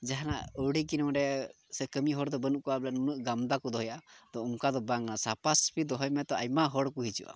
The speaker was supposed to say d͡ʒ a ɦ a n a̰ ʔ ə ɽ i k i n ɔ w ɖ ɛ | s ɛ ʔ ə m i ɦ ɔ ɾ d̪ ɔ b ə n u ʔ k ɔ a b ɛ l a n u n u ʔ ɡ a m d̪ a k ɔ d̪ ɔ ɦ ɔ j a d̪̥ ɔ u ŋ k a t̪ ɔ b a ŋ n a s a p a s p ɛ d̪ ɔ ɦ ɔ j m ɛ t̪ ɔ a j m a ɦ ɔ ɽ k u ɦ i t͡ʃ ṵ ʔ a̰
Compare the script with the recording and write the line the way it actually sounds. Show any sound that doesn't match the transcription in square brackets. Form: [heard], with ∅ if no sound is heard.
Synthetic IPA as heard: d͡ʒ a ɦ a n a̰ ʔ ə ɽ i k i n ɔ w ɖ ɛ | s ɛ [k] ə m i ɦ ɔ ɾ d̪ ɔ b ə n u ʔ k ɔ a b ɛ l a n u n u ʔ ɡ a m d̪ a k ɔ d̪ ɔ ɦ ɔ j a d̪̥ ɔ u ŋ k a [d̪] ɔ b a ŋ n a s a p a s p [i] d̪ ɔ ɦ ɔ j m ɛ t̪ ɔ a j m a ɦ ɔ ɽ k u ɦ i t͡ʃ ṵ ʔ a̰